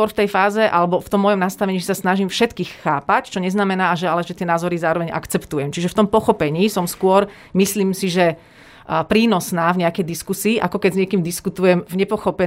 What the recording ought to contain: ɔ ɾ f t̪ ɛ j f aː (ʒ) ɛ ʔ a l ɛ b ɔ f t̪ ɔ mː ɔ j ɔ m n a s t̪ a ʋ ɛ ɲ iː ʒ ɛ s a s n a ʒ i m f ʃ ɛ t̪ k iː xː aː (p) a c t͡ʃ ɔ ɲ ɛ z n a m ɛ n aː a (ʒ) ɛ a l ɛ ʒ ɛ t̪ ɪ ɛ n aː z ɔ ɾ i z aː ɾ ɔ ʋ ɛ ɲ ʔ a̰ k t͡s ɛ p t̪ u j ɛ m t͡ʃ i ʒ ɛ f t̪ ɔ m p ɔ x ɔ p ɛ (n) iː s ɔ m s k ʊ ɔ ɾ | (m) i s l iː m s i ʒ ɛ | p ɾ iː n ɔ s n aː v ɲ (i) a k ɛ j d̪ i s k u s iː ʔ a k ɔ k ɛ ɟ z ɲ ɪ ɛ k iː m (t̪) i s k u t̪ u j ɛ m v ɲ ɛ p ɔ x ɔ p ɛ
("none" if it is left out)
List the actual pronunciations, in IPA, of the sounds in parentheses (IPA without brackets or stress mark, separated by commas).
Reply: z, p, ʒ, ɲ, m, ɛ, d̪